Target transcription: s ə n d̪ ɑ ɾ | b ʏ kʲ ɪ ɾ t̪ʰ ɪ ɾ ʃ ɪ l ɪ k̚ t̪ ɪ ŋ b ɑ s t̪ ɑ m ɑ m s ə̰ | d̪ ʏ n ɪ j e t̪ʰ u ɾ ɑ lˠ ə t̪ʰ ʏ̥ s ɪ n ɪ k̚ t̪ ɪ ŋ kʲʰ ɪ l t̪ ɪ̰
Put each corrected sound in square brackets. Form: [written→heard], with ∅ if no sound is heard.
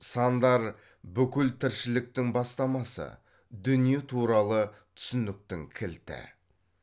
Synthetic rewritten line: s [ə→ɑ] n d̪ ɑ ɾ | b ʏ kʲ ɪ [ɾ→l] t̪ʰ ɪ ɾ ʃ ɪ l ɪ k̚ t̪ ɪ ŋ b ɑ s t̪ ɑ m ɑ [m→∅] s ə̰ | d̪ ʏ n [ɪ→i] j e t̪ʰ u ɾ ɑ lˠ ə t̪ʰ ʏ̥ s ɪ n ɪ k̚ t̪ ɪ ŋ kʲʰ ɪ l t̪ ɪ̰